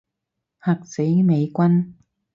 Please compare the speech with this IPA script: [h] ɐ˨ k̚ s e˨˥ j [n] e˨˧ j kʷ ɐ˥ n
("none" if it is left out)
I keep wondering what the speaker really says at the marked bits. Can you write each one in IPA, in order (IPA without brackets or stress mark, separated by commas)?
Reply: h, m